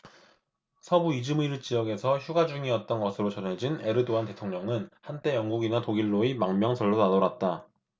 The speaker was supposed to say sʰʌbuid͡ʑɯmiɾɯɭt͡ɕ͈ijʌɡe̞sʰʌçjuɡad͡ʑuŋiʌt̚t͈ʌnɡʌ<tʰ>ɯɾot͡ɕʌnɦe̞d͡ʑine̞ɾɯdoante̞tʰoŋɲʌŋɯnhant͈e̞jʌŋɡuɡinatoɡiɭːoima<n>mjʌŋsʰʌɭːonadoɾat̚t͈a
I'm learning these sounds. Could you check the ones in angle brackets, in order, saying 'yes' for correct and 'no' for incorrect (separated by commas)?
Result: no, no